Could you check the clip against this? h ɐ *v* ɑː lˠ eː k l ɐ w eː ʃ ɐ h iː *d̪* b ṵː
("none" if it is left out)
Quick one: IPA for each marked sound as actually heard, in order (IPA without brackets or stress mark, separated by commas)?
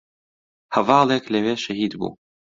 v, d̪